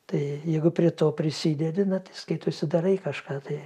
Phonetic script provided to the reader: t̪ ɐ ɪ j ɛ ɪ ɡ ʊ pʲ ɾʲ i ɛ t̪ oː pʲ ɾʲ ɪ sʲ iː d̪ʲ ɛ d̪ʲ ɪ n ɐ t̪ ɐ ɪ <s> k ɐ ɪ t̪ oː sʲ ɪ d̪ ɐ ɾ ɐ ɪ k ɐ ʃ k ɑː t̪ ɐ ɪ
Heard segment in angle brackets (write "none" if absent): s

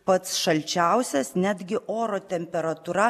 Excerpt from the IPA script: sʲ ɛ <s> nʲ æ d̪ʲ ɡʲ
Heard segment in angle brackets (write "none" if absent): s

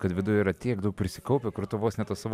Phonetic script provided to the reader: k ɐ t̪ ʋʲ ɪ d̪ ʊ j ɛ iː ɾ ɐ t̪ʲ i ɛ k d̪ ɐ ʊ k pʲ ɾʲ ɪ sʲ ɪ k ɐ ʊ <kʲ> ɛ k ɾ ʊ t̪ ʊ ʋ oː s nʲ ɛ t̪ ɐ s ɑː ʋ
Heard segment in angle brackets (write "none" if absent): pʲ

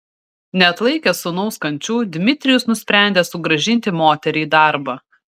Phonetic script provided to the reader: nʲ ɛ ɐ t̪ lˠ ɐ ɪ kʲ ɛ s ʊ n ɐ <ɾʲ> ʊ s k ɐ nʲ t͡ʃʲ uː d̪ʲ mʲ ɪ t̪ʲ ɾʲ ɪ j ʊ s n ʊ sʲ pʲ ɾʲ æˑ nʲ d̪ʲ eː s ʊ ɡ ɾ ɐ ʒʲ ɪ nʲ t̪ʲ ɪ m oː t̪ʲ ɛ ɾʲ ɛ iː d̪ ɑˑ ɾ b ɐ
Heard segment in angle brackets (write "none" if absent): none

